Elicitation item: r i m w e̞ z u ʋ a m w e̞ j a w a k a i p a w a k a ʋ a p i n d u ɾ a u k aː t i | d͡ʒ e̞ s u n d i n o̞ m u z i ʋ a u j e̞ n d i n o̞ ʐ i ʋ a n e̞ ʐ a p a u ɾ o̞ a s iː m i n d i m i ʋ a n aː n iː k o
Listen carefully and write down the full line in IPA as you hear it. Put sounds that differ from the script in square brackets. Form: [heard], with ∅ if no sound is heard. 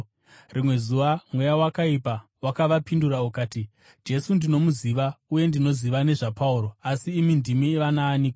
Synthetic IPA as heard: r i m w e̞ z u ʋ a m w e̞ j a w a k a i p a w a k a ʋ a p i n d u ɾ a u k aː t i | d͡ʒ e̞ s u n d i n o̞ m u z i ʋ a u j e̞ n d i n o̞ [z] i ʋ a n e̞ ʐ a p a u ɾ o̞ a s iː m i n d i m i ʋ a n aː n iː k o